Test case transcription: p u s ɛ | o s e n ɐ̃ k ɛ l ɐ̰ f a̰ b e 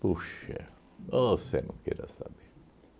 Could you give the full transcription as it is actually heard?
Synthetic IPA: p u ʃ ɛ | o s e n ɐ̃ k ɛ ɾ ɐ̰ s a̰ b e